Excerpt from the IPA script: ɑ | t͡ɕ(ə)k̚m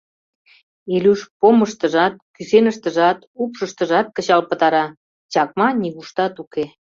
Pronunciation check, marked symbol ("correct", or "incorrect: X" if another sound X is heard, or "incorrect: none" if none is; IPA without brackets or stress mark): incorrect: ɑ